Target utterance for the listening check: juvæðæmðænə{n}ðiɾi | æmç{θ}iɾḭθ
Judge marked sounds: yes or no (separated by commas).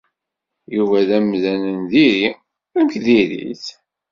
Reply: yes, no